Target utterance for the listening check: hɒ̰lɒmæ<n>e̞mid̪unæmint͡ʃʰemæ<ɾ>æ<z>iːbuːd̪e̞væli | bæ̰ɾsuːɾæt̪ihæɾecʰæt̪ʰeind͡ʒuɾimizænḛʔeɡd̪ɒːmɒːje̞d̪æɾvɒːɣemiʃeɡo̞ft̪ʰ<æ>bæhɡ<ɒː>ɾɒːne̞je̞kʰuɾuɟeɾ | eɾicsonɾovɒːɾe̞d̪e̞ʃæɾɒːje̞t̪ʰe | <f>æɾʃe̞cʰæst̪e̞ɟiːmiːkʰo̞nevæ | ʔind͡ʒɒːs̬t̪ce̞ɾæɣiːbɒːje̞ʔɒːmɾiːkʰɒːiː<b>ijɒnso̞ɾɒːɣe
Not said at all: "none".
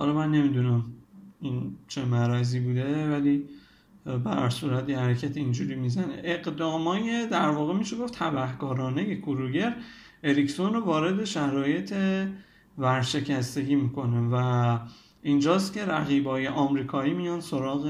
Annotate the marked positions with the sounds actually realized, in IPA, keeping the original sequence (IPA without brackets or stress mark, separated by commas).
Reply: nː, ɾ, z, æ, ɒː, v, m